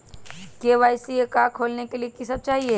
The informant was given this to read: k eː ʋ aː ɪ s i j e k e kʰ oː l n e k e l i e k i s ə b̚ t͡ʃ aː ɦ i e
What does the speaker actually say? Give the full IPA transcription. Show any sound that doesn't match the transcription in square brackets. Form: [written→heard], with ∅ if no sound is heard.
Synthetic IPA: k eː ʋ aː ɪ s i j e k [e→a] kʰ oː l n e k e l i e k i s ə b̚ t͡ʃ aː ɦ i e